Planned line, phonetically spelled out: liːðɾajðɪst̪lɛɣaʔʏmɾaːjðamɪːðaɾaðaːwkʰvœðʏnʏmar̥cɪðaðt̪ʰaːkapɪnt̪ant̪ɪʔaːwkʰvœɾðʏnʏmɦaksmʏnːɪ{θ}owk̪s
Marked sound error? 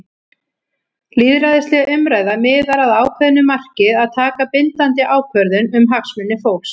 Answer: yes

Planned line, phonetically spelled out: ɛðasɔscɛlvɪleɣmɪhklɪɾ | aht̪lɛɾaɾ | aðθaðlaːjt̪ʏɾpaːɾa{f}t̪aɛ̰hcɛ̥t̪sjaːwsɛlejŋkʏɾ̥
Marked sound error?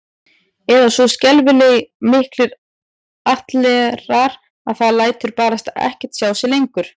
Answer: yes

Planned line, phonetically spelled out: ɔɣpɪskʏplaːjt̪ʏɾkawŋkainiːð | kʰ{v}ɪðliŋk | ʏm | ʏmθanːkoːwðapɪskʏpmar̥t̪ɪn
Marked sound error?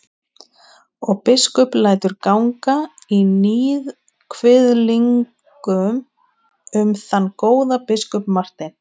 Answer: no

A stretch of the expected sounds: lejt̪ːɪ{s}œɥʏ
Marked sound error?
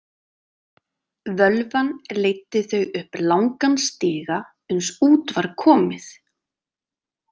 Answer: yes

